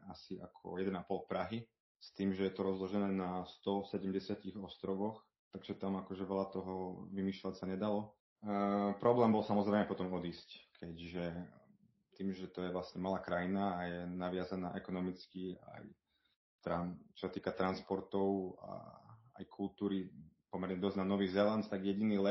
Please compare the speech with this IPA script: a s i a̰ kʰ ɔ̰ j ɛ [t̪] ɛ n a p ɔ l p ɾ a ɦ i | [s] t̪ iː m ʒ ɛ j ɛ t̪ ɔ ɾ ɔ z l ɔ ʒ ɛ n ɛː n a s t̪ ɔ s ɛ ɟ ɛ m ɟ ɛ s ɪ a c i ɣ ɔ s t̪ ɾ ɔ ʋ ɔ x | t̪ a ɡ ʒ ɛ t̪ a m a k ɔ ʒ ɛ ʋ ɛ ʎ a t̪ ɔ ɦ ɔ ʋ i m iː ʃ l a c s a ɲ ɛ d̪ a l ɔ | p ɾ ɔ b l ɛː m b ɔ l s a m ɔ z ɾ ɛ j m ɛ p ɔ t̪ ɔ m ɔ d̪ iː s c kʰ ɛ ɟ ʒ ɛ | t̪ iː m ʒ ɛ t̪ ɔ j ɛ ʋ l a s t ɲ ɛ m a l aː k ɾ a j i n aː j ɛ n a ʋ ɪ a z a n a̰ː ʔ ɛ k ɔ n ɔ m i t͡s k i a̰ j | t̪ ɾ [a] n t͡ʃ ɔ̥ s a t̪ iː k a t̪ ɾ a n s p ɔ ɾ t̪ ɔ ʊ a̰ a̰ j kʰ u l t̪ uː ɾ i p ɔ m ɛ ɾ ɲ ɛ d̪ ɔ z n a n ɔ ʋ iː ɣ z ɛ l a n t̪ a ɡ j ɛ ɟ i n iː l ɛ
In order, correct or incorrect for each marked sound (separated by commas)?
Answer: incorrect, correct, correct